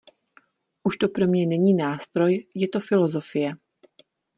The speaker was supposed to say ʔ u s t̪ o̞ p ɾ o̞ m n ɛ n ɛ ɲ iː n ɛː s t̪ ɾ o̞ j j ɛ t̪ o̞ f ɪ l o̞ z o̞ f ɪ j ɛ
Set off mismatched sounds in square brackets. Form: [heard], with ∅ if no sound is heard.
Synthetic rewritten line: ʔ u [ʃ] t̪ o̞ p ɾ o̞ m [ɲ] ɛ n ɛ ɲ iː n [aː] s t̪ ɾ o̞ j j ɛ t̪ o̞ f ɪ l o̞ z o̞ f ɪ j ɛ

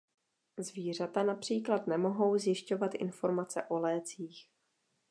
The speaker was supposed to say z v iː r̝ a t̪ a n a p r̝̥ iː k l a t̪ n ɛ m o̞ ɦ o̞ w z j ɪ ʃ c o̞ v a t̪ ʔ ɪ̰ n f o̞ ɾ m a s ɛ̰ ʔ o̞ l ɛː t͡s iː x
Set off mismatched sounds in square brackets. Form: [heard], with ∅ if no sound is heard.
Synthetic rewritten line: z v iː r̝ a t̪ a n a p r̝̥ iː k l a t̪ n ɛ m o̞ ɦ o̞ w z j ɪ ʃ c o̞ v a t̪ ʔ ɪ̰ n f o̞ ɾ m a [t͡s] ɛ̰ ʔ o̞ l ɛː t͡s iː x

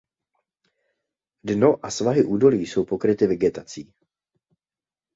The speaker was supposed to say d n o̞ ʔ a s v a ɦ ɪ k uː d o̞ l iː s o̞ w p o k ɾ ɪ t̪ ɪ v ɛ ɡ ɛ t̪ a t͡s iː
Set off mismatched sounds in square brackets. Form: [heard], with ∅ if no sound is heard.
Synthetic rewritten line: d n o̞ ʔ a s v a ɦ ɪ [ʔ] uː d o̞ l iː s o̞ w p o k ɾ ɪ t̪ ɪ v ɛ ɡ ɛ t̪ a t͡s iː

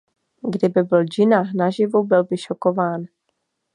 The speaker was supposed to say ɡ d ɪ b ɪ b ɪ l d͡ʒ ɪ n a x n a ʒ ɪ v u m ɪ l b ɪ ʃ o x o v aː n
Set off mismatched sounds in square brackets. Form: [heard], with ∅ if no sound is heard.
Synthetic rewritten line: ɡ d ɪ b ɪ b ɪ l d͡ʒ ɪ n a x n a ʒ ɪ v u [b] ɪ l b ɪ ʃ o [k] o v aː n

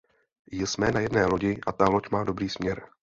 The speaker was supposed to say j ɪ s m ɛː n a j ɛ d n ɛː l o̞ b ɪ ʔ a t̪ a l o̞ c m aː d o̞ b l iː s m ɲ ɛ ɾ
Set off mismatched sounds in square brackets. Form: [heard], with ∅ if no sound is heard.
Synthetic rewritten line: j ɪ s m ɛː n a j ɛ d n ɛː l o̞ [ɟ] ɪ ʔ a t̪ a l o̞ c m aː d o̞ b [ɾ] iː s m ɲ ɛ ɾ

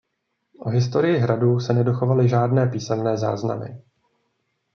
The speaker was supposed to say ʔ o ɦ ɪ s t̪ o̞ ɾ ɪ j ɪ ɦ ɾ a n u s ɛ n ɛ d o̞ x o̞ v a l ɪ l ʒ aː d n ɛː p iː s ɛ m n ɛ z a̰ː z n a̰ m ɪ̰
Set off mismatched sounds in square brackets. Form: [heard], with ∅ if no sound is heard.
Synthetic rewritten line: ʔ o ɦ ɪ s t̪ o̞ ɾ ɪ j ɪ ɦ ɾ a [d] u s ɛ n ɛ d o̞ x o̞ v a l ɪ [∅] ʒ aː d n ɛː p iː s ɛ m n [ɛː] z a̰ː z n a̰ m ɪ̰

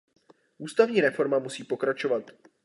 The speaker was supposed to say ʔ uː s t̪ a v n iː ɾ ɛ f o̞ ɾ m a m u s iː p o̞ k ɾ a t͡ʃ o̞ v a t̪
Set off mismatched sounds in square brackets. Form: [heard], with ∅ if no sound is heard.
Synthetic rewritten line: ʔ uː s t̪ a v [ɲ] iː ɾ ɛ f o̞ ɾ m a m u s iː p o̞ k ɾ a t͡ʃ o̞ v a t̪

